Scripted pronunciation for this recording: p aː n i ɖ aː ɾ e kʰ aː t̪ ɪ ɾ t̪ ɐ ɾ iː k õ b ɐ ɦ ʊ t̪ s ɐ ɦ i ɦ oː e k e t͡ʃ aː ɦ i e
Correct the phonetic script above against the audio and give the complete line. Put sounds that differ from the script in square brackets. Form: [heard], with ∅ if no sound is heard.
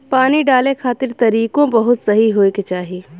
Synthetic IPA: p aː n i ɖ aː [l] e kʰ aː t̪ ɪ ɾ t̪ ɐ ɾ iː k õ b ɐ ɦ ʊ t̪ s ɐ ɦ i ɦ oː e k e t͡ʃ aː ɦ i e